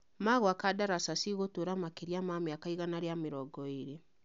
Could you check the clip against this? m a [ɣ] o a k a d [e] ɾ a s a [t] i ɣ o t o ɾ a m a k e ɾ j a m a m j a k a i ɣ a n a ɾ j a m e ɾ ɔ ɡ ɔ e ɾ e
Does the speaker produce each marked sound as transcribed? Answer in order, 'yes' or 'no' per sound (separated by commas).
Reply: yes, no, no